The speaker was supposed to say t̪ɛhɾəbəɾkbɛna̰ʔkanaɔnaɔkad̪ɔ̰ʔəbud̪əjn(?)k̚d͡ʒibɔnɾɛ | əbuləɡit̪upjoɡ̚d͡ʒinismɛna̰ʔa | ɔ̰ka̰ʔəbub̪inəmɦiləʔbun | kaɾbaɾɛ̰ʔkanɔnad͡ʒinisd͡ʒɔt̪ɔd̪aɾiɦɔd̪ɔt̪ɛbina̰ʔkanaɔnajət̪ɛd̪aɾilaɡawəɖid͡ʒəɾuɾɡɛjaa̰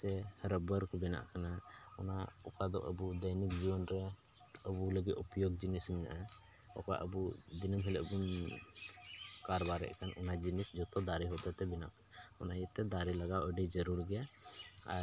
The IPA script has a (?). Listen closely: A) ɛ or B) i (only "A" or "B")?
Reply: B